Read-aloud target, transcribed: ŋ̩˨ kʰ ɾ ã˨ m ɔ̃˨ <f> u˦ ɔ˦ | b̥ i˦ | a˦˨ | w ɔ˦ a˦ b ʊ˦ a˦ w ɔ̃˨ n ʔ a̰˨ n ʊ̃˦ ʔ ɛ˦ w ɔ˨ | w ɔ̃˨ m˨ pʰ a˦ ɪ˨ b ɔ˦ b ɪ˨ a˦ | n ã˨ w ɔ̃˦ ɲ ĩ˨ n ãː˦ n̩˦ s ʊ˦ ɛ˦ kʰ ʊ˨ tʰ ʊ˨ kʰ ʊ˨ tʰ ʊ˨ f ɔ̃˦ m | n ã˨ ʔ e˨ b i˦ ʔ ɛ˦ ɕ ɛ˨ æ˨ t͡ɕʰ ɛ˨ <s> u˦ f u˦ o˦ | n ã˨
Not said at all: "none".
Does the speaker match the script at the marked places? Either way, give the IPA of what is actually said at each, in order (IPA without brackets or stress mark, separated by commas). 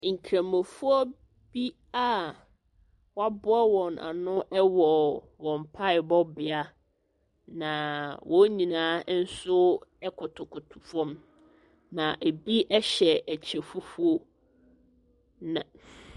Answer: f, f